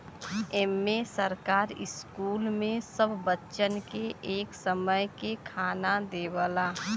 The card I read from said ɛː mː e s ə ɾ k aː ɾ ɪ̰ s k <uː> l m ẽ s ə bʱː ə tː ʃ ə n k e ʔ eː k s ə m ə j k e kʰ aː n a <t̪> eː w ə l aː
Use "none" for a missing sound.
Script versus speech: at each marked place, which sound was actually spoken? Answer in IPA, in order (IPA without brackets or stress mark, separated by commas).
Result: uː, d̪